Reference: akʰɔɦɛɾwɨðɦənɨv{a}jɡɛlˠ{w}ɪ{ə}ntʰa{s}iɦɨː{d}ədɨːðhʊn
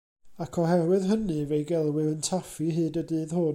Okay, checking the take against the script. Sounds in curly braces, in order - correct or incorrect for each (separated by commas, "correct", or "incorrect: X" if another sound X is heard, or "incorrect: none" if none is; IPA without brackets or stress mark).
incorrect: e, correct, correct, incorrect: f, correct